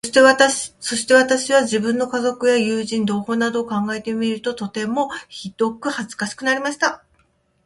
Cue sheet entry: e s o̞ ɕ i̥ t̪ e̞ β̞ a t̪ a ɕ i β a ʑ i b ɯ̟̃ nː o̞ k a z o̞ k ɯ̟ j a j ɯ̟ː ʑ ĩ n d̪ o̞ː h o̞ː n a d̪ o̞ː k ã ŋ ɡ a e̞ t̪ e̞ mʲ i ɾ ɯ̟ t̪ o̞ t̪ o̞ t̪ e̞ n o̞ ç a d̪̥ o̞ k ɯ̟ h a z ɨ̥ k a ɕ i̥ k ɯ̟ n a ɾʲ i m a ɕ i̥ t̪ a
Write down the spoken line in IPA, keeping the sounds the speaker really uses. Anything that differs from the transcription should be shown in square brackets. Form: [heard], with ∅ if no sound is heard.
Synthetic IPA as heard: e s o̞ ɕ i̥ t̪ e̞ β̞ a t̪ a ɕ i β a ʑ i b ɯ̟̃ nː o̞ k a z o̞ k ɯ̟ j a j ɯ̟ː ʑ ĩ n d̪ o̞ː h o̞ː n a d̪ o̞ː k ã ŋ ɡ a e̞ t̪ e̞ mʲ i ɾ ɯ̟ t̪ o̞ t̪ o̞ t̪ e̞ [m] o̞ ç [i] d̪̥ o̞ k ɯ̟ h a z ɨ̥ k a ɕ i̥ k ɯ̟ n a ɾʲ i m a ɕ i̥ t̪ a